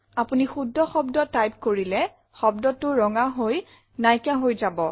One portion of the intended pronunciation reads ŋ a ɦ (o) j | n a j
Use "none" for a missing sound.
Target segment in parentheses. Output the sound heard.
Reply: o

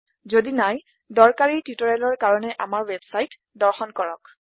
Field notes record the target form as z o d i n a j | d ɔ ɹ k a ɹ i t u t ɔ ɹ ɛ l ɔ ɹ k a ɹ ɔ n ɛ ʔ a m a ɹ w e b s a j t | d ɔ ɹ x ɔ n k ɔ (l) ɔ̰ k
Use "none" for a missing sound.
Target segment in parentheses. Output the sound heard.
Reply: ɹ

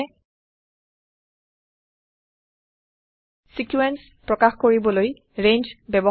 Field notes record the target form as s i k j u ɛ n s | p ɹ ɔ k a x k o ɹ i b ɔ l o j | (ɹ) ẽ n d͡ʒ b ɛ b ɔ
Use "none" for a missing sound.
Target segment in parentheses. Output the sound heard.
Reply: ɹ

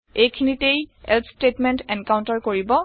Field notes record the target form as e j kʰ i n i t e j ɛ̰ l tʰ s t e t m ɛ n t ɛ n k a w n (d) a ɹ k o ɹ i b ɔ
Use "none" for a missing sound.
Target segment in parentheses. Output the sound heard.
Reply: t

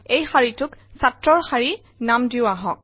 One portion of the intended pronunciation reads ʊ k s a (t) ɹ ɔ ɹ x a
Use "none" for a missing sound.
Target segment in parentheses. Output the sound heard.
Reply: t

